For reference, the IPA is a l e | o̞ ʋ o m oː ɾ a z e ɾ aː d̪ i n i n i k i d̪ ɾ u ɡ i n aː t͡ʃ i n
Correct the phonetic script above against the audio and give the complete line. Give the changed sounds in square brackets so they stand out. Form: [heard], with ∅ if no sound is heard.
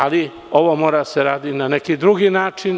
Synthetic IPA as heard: a l [i] | o̞ ʋ o m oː ɾ a [s] e ɾ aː d̪ i n [a] n [e] k i d̪ ɾ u ɡ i n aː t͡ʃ i n